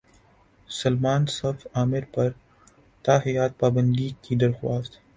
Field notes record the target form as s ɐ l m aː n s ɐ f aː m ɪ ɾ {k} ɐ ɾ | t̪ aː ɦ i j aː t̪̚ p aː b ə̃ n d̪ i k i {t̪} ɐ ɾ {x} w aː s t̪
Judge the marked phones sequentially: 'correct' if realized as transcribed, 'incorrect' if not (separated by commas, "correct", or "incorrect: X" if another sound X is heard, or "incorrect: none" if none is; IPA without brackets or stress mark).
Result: incorrect: p, incorrect: d̪, correct